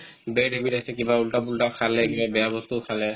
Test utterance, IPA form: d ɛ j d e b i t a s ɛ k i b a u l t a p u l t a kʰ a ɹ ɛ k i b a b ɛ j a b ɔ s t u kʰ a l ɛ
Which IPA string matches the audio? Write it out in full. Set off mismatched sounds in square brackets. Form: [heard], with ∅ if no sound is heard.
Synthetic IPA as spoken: [b] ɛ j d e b i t a s ɛ k i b a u l t a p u l t a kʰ a [l] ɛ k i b a b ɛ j a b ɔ s t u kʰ a l ɛ